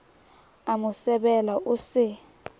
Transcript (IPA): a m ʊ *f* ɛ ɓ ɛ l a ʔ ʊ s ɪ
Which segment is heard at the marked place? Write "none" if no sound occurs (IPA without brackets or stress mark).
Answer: s